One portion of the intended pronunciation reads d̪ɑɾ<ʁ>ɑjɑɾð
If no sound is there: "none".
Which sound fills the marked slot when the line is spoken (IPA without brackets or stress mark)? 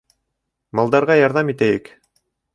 ʁ